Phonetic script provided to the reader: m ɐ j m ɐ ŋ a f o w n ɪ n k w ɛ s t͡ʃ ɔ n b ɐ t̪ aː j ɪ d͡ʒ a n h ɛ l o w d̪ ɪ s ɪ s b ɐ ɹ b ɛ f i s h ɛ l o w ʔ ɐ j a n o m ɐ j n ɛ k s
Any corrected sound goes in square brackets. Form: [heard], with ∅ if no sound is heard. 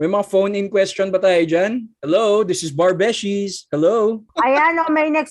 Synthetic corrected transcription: m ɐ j m ɐ ŋ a f o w n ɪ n k w ɛ s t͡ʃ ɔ n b ɐ t̪ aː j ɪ d͡ʒ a n h ɛ l o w d̪ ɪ s ɪ s b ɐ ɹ b ɛ [ʃ] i s h ɛ l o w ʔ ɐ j a n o m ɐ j n ɛ k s